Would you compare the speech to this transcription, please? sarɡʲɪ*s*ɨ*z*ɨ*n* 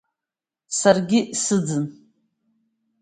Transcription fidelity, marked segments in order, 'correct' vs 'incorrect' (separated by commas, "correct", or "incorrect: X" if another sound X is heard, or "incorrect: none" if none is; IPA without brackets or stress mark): correct, incorrect: d͡z, correct